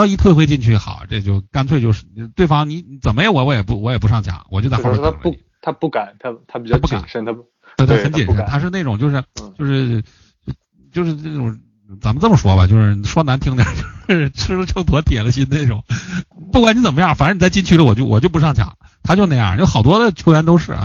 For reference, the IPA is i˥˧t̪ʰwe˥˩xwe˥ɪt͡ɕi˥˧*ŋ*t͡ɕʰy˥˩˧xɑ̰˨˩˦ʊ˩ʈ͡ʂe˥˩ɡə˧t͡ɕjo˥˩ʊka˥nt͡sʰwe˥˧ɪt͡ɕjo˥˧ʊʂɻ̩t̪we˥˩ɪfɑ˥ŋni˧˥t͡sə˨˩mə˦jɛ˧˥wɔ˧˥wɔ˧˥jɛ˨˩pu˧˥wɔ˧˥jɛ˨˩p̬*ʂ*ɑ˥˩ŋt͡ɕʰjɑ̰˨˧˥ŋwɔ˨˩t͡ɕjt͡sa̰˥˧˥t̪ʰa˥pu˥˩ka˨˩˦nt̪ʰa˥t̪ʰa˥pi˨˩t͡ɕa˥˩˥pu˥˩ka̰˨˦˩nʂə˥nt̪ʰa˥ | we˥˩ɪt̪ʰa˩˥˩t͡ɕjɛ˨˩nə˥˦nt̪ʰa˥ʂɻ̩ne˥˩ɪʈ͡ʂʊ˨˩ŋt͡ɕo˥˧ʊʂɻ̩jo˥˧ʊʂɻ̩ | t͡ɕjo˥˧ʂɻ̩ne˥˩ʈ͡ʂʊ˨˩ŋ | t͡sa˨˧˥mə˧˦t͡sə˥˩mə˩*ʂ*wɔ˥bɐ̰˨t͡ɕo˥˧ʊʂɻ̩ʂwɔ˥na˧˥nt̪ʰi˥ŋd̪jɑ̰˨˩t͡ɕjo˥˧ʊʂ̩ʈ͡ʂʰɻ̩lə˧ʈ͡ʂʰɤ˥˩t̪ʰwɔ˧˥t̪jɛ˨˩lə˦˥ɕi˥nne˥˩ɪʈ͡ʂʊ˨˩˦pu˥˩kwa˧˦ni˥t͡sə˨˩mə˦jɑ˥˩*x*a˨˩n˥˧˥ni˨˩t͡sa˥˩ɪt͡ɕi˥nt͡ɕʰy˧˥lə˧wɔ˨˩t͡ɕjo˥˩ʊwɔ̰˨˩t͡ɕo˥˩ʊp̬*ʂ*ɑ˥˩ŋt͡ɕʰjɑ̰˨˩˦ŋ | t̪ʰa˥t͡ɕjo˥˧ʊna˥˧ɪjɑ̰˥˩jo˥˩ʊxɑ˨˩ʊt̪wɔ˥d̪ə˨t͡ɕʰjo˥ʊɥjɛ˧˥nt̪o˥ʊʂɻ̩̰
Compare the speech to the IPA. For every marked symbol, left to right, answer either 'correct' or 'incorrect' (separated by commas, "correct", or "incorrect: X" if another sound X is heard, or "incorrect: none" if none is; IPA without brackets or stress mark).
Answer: incorrect: n, correct, correct, incorrect: f, correct